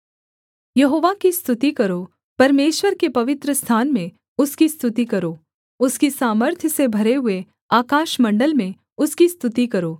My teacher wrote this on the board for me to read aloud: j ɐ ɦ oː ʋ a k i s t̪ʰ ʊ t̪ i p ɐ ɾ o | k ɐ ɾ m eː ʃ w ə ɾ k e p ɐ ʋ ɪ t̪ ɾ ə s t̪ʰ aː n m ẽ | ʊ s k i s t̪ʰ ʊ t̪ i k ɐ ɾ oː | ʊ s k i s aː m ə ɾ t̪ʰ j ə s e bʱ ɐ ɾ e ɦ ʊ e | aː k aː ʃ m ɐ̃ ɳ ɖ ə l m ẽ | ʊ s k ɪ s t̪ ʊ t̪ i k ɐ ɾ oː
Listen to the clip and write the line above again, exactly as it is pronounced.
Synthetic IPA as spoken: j ɐ ɦ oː ʋ a k i s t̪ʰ ʊ t̪ i k ɐ ɾ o | p ɐ ɾ m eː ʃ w ə ɾ k e p ɐ ʋ ɪ t̪ ɾ ə s t̪ʰ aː n m ẽ | ʊ s k i s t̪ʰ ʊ t̪ i k ɐ ɾ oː | ʊ s k i s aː m ə ɾ t̪ʰ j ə s e bʱ ɐ ɾ e ɦ ʊ e | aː k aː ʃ m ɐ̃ ɳ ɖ ə l m ẽ | ʊ s k i s t̪ ʊ t̪ i k ɐ ɾ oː